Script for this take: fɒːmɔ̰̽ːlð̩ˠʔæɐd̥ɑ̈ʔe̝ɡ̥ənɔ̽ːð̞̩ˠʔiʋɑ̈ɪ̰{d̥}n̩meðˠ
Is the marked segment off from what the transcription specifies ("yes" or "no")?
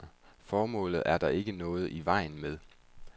yes